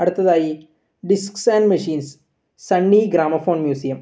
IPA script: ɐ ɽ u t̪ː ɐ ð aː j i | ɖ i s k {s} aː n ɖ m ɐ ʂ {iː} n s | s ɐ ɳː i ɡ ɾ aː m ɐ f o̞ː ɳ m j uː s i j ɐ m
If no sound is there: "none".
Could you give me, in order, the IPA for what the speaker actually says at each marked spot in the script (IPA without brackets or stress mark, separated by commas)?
s, iː